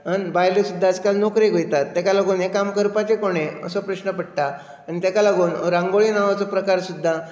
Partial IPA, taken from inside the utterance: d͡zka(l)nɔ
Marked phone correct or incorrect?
correct